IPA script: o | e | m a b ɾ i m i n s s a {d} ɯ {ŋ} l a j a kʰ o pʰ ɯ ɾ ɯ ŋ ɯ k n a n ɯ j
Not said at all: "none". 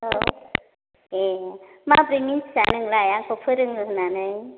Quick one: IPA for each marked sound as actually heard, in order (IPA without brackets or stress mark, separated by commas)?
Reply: n, ŋ